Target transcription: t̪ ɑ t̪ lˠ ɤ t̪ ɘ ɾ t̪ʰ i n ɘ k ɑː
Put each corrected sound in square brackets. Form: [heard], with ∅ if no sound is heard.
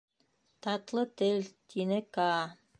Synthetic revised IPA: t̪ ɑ t̪ lˠ ɤ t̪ ɘ [l] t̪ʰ i n ɘ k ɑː